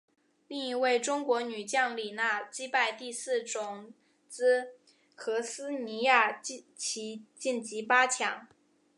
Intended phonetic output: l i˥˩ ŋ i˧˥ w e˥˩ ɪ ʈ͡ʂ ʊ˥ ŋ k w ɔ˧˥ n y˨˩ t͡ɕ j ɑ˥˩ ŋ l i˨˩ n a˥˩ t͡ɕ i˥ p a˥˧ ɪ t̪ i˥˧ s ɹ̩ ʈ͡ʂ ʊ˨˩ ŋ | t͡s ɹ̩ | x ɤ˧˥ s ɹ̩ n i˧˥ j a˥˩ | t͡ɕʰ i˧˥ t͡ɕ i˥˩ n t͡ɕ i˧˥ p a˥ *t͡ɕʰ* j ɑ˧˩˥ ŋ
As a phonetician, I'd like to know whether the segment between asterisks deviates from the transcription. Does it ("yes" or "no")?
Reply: no